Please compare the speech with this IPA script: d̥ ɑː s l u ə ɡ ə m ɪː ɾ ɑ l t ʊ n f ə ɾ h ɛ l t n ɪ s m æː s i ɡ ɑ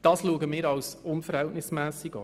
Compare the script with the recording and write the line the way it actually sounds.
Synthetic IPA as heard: d̥ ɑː s l u ə ɡ ə m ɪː ɾ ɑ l s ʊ n f ə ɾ h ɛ l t n ɪ s m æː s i ɡ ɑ